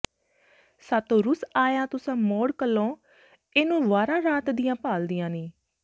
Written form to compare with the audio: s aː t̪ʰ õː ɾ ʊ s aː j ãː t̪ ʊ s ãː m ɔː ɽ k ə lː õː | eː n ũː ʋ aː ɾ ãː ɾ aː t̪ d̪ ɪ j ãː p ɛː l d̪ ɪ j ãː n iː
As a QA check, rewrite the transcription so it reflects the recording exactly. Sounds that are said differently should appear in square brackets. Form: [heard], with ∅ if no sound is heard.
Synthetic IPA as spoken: s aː [t̪] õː ɾ ʊ s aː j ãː t̪ ʊ s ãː m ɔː ɽ k ə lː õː | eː n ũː ʋ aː ɾ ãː ɾ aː t̪ d̪ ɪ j ãː p [aː] l d̪ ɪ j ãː n iː